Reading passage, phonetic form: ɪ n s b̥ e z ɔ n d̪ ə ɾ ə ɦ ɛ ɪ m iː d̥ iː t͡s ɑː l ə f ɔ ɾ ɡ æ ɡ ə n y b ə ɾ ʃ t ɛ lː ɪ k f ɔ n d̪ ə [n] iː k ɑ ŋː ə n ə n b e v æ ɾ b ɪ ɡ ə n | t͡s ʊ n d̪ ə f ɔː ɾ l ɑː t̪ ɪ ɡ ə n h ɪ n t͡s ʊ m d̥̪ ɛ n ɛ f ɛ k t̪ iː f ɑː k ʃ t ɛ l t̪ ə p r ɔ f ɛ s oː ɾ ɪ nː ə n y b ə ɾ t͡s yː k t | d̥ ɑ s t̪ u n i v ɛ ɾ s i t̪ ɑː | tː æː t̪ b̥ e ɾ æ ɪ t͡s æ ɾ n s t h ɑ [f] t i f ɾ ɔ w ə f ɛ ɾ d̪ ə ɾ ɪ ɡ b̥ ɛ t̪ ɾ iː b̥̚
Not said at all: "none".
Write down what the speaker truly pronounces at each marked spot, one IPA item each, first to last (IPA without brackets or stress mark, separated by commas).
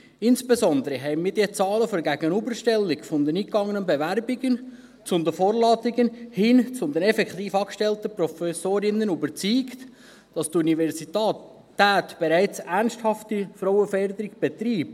n, f